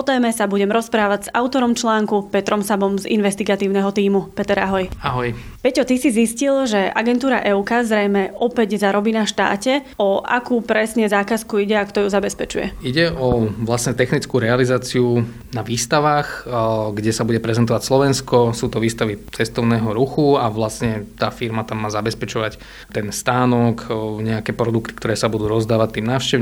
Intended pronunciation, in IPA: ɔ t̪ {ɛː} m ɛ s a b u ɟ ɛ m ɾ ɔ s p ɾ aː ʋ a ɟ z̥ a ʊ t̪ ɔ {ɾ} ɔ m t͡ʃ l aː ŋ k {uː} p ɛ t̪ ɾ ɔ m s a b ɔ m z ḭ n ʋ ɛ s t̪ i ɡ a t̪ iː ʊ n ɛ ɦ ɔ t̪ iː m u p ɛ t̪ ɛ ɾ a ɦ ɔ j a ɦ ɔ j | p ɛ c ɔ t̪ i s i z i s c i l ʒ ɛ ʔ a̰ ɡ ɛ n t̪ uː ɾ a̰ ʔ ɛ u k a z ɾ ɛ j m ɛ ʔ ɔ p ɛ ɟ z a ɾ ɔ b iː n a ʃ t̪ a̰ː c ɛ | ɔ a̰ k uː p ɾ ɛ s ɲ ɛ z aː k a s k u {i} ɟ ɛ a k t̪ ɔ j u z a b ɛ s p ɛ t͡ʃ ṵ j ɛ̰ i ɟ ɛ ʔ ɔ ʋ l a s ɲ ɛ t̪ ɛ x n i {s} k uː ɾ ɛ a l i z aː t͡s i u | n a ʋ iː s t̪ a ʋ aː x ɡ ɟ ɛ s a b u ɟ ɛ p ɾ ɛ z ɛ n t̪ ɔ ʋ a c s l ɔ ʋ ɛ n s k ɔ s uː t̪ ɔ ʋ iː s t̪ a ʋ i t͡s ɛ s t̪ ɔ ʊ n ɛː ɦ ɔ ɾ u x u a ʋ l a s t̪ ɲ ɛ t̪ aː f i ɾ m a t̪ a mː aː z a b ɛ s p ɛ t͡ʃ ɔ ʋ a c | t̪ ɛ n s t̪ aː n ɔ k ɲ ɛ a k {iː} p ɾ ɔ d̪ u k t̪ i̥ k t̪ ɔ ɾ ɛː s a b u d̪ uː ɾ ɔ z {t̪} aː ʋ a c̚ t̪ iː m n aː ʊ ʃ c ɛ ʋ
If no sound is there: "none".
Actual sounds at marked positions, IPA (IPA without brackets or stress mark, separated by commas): ɛː, ɾ, u, i, t͡s, ɛː, d̪